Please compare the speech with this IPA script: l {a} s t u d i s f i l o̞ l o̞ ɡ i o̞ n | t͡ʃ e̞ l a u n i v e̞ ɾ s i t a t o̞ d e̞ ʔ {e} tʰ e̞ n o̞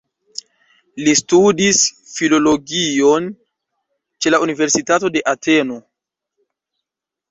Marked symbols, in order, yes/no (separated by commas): no, no